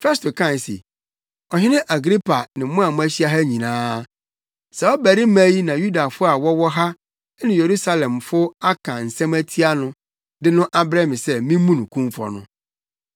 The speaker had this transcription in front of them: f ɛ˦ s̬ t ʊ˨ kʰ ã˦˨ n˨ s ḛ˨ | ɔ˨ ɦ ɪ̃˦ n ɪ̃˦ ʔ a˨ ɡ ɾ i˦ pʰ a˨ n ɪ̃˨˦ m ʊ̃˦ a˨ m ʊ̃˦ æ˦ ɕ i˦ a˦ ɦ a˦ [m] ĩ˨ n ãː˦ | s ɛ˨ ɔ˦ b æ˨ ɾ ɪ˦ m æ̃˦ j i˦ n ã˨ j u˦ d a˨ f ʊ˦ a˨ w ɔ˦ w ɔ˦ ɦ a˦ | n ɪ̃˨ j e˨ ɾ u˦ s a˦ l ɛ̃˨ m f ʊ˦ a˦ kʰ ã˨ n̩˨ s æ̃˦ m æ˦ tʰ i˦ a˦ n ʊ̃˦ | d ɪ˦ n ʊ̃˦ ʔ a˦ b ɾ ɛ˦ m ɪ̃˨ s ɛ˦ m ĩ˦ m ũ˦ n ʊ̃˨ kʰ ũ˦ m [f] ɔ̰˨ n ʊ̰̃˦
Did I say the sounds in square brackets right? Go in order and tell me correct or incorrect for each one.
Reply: incorrect: ɲ, correct

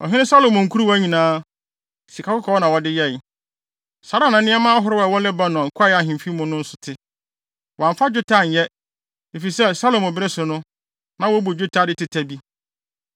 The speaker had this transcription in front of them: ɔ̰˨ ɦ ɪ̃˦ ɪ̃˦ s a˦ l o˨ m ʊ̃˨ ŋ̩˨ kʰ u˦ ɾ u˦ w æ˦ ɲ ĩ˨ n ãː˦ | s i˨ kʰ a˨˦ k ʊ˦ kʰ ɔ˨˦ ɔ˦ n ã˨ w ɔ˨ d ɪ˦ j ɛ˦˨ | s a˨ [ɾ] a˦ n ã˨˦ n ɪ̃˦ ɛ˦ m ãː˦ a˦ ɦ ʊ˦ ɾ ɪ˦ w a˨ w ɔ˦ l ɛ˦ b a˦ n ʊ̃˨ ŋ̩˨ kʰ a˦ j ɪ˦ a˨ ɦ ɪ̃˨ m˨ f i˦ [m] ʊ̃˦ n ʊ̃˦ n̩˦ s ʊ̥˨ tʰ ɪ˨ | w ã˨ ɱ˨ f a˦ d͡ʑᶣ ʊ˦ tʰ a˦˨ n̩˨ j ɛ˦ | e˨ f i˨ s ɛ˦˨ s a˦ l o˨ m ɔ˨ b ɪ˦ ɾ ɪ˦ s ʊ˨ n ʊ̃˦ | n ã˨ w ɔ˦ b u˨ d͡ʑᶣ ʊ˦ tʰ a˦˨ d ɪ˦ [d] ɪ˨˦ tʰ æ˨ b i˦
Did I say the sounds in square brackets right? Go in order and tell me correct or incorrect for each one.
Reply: correct, correct, incorrect: t

